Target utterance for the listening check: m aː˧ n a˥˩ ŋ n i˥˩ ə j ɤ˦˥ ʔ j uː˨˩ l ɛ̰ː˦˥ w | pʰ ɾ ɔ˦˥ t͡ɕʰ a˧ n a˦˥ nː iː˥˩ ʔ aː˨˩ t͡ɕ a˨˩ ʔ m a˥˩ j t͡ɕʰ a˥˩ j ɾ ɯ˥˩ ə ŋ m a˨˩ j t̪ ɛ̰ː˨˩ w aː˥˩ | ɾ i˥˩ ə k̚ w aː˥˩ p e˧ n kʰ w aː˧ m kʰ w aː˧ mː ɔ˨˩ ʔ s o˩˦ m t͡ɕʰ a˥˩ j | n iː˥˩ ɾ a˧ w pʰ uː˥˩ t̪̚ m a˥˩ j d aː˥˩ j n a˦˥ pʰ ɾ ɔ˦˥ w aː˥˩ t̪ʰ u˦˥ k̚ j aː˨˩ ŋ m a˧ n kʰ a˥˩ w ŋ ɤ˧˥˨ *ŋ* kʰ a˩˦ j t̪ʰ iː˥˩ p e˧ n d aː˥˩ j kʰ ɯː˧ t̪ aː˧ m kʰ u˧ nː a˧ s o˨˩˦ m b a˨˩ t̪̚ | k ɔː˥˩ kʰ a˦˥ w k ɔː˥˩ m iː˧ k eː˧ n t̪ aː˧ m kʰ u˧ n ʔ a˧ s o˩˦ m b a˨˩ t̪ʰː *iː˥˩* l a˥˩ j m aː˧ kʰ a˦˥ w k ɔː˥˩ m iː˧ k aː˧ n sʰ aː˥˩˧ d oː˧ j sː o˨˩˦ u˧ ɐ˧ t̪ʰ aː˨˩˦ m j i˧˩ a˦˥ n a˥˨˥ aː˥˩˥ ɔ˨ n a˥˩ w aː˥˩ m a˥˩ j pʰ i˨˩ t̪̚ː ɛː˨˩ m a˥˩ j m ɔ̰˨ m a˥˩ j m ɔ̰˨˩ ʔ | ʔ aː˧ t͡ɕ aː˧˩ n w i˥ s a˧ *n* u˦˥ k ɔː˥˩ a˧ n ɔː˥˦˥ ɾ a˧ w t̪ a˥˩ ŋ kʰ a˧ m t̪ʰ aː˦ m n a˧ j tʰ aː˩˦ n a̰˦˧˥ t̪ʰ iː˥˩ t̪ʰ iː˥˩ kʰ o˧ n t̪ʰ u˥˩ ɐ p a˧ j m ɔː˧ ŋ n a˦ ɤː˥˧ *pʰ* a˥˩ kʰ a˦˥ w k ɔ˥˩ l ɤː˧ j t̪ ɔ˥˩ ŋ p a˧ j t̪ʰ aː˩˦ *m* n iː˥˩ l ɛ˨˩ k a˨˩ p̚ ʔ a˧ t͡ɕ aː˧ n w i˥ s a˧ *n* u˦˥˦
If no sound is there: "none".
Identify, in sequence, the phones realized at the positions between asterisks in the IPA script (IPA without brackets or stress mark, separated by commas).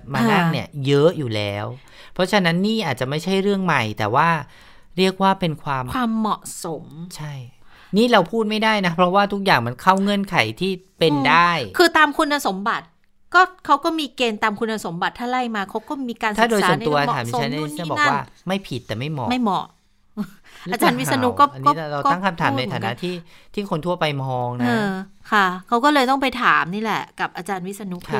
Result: n, aː˥˩, n, kʰ, m, n